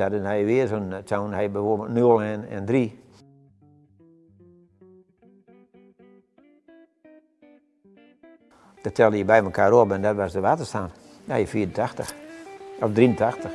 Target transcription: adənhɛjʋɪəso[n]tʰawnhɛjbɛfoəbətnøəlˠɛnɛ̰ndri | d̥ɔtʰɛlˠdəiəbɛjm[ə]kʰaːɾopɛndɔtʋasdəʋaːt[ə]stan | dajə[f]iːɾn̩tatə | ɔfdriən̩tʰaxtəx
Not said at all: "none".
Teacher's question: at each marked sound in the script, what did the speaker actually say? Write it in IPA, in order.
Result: n, ə, ə, f

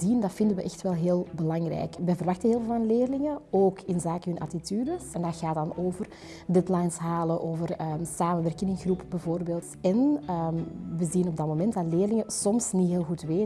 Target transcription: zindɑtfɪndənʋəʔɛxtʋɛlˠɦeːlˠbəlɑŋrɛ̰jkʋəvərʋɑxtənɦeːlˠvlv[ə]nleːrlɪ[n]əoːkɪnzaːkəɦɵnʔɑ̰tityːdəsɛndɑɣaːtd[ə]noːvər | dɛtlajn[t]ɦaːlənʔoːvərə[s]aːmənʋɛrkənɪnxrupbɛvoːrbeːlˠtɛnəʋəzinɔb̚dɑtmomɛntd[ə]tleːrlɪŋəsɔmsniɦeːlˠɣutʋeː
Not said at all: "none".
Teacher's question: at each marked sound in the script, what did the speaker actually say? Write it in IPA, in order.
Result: ɑ, ŋ, ɑ, s, s, ɑ

